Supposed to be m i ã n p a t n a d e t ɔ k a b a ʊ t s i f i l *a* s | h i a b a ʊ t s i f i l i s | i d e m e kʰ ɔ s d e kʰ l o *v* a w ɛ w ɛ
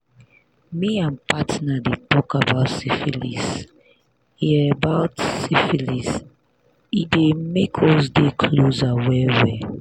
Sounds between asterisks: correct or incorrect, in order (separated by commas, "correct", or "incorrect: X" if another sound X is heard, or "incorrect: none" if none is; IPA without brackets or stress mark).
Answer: incorrect: i, incorrect: z